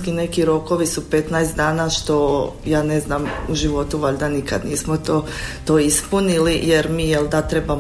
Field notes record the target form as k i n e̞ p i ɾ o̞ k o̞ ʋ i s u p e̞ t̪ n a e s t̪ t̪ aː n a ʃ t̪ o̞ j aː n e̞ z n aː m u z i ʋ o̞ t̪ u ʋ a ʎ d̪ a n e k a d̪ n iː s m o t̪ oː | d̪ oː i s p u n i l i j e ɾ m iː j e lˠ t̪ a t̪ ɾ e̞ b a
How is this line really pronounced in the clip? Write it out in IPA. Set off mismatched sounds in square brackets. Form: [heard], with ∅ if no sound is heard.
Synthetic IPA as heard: k i n e̞ [k] i ɾ o̞ k o̞ ʋ i s u p e̞ t̪ n a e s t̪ [d̪] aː n a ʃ t̪ o̞ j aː n e̞ z n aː m u [ʒ] i ʋ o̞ t̪ u ʋ a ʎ d̪ a n [i] k a d̪ n iː s m o t̪ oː | [t̪] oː i s p u n i l i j e ɾ m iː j e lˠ [d̪] a t̪ ɾ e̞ b a